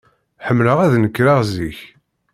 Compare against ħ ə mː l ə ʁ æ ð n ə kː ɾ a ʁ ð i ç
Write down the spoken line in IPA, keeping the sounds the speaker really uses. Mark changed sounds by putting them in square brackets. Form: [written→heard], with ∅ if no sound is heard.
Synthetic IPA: ħ ə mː l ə ʁ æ ð n ə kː ɾ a ʁ [ð→z] i ç

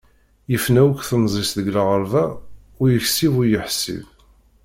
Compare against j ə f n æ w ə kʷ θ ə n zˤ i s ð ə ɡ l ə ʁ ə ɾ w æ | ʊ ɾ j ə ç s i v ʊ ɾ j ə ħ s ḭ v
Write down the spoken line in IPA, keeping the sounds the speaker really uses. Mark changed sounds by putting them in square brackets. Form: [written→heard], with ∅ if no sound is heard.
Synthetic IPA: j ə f n æ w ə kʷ θ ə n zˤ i s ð ə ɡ l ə ʁ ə ɾ [w→v] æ | ʊ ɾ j ə ç s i v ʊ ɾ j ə ħ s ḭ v

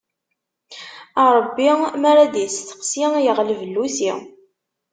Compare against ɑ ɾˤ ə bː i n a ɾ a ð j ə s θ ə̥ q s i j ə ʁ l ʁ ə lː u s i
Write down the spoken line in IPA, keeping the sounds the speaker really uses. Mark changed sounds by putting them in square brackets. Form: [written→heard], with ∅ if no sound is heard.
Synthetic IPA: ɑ ɾˤ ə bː i [n→m] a ɾ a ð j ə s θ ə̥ q s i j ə ʁ l [ʁ→v] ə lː u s i

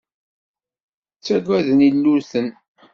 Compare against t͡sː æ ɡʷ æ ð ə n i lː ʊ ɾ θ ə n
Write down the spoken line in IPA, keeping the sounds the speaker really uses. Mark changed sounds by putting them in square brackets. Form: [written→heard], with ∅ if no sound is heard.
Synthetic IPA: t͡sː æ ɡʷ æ ð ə n i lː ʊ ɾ θ ə n

